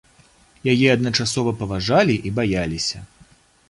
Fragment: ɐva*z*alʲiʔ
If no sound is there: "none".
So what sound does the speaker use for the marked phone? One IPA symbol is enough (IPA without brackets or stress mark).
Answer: ʐ